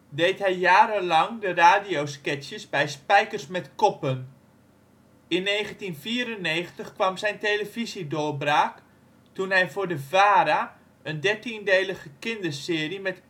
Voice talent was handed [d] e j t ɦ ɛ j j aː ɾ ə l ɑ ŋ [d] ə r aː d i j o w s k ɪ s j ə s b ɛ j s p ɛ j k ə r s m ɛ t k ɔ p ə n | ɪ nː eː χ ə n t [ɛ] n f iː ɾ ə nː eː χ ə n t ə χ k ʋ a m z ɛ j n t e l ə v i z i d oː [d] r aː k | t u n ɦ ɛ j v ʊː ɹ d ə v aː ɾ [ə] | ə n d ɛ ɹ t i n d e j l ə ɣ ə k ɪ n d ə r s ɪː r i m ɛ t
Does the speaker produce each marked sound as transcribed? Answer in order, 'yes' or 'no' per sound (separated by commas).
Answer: yes, yes, no, no, no